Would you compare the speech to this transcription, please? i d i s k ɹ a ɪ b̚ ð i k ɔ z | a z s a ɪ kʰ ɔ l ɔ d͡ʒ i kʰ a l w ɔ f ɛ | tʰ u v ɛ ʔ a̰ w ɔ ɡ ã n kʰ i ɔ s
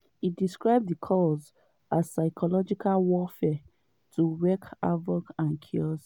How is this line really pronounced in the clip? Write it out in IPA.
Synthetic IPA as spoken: i d i s k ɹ a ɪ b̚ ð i kʰ ɔ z | a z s a ɪ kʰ ɔ l ɔ d͡ʒ i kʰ a l w ɔ f ɛ | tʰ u w ɛ k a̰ v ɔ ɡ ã n kʰ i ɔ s